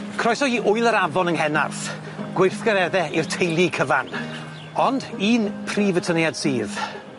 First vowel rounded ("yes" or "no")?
yes